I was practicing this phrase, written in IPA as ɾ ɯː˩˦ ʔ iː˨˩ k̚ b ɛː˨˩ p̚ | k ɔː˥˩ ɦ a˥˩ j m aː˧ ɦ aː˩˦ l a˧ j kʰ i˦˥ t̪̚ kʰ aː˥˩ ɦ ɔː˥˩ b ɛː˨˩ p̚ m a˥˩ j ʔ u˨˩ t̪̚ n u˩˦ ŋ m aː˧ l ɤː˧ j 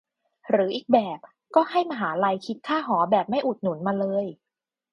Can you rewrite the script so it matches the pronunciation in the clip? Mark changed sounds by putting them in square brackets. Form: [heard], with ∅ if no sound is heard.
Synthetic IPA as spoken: ɾ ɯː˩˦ ʔ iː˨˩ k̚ b ɛː˨˩ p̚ | k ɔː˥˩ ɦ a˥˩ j m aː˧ ɦ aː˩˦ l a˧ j kʰ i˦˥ t̪̚ kʰ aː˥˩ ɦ [ɔː˩˦] b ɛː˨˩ p̚ m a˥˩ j ʔ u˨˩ t̪̚ n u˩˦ [n] m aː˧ l ɤː˧ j

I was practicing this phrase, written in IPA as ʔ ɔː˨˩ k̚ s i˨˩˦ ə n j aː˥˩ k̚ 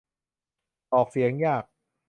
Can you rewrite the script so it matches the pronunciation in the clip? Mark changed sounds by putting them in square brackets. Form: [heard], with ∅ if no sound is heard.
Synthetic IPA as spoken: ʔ ɔː˨˩ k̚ s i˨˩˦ ə [ŋ] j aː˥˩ k̚

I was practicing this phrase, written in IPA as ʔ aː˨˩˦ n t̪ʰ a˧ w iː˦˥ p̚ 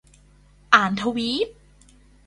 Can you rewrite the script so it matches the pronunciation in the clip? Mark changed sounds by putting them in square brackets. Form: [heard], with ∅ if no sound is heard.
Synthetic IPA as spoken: ʔ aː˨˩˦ n t̪ʰ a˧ w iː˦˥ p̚

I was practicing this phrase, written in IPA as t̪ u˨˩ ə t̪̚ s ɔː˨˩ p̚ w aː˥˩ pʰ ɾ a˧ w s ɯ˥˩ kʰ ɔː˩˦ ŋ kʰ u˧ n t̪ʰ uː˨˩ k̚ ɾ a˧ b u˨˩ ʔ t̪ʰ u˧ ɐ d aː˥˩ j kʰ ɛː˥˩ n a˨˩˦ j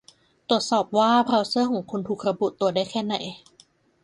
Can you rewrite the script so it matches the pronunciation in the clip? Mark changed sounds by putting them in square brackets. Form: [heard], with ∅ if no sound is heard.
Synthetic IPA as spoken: t̪ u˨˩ ə t̪̚ s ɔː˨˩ p̚ w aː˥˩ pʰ ɾ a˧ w s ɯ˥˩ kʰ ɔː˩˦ ŋ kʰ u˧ n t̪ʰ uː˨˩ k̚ ɾ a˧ b u˨˩ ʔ [t̪] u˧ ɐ d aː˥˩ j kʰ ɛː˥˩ n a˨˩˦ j

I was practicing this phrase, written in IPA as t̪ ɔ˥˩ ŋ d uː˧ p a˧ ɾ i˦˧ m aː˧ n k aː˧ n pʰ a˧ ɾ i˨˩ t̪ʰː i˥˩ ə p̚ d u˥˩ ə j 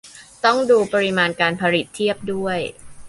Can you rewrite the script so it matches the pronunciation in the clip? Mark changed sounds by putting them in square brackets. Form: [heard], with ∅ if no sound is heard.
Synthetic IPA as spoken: t̪ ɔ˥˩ ŋ d uː˧ p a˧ ɾ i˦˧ m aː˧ n k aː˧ n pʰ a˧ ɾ i˨˩ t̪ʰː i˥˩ ə p̚ d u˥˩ ə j

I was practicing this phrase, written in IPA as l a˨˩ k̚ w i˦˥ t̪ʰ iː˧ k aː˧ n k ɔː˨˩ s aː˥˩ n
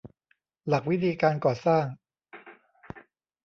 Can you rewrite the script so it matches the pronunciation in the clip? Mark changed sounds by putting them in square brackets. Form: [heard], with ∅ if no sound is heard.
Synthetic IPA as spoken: l a˨˩ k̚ w i˦˥ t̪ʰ iː˧ k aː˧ n k ɔː˨˩ s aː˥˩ [ŋ]

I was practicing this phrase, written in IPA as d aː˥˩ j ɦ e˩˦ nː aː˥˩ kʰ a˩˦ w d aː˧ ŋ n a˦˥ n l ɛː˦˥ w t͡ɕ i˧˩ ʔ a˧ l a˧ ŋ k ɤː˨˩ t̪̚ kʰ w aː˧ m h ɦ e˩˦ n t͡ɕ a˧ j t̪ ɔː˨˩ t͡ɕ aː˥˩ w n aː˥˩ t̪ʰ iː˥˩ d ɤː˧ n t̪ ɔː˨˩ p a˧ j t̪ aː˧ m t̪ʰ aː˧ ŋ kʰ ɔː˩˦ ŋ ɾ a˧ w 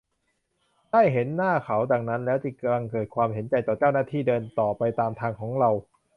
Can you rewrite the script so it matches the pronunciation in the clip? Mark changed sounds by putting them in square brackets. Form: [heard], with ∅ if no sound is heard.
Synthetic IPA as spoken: d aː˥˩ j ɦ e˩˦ nː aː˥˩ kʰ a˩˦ w d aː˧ ŋ n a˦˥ n l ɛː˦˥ w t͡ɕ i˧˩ [k] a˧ l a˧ ŋ k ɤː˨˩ t̪̚ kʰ w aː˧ m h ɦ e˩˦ n t͡ɕ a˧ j t̪ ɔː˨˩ t͡ɕ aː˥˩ w n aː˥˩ t̪ʰ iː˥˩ d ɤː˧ n t̪ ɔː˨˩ p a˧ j t̪ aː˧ m t̪ʰ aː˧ ŋ kʰ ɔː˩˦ ŋ ɾ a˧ w

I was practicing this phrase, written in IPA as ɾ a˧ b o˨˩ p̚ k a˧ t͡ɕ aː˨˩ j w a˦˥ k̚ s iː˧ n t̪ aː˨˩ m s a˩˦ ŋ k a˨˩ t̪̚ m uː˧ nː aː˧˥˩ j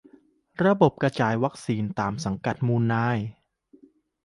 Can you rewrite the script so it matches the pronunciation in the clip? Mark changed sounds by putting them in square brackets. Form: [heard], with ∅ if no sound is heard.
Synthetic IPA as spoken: ɾ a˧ b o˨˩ p̚ k a˧ t͡ɕ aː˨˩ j w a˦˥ k̚ s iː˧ n t̪ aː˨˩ m s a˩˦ ŋ k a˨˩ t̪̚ m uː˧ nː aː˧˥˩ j

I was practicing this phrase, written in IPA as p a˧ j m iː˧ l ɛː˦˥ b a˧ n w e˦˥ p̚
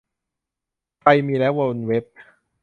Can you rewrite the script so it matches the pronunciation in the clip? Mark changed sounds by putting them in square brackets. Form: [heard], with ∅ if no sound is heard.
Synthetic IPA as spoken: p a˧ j m iː˧ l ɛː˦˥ [w] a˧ n w e˦˥ p̚

